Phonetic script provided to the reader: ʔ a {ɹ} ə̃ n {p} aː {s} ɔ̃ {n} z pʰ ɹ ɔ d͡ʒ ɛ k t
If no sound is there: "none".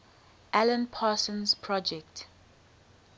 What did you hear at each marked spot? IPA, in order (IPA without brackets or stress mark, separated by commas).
l, pʰ, s, n